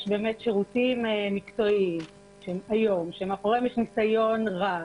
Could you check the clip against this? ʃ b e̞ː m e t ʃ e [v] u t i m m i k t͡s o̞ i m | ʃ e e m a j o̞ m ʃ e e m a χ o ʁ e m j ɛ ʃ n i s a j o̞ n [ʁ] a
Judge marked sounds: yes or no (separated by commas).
no, yes